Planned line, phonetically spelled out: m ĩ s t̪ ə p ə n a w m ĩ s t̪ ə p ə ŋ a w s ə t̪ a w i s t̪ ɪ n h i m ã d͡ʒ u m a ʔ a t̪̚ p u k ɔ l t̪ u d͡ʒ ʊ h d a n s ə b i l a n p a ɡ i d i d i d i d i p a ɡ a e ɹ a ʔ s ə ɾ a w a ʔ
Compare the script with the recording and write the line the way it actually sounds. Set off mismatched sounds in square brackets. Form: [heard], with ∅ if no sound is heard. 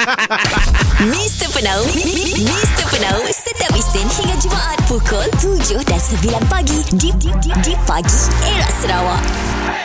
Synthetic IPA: m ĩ s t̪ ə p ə n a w m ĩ s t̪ ə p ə [n] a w s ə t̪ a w i s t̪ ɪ n h i [ŋ] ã d͡ʒ u m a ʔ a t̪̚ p u k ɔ l t̪ u d͡ʒ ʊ h d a n s ə b i l a n p a ɡ i d i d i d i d i p a ɡ [i] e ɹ a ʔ s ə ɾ a w a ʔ